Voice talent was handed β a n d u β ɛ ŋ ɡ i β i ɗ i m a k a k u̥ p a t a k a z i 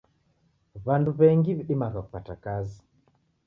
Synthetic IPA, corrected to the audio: β a n d u β ɛ ŋ ɡ i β i ɗ i m a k a k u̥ p a t a k a z i